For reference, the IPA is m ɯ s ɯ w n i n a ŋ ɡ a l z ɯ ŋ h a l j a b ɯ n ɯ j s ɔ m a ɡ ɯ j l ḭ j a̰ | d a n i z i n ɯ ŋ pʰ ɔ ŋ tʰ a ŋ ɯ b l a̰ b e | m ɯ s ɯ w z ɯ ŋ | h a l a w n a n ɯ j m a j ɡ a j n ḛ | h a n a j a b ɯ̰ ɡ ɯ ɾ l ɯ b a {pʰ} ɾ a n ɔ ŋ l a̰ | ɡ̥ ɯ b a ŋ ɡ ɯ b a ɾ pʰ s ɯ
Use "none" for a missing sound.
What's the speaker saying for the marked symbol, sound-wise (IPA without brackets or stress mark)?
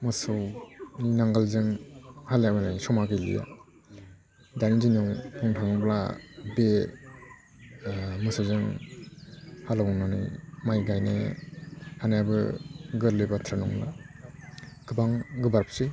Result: tʰ